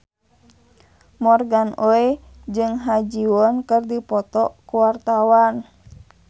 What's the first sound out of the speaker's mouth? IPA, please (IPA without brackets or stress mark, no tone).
m